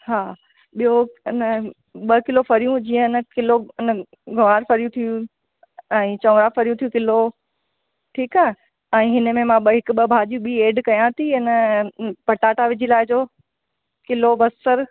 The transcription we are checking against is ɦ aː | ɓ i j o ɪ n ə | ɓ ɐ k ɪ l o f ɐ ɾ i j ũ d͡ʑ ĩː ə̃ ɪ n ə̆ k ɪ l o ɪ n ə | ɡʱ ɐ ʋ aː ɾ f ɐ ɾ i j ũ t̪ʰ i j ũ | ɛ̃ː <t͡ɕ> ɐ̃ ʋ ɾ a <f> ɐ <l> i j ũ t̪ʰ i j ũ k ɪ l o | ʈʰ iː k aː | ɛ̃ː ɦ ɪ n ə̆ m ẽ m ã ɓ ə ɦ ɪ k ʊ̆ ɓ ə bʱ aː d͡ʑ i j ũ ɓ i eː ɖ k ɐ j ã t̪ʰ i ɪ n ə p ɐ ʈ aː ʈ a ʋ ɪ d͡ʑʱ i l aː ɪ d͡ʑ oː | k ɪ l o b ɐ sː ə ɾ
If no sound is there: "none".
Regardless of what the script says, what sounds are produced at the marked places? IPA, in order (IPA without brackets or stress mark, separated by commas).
t͡ɕ, f, ɾ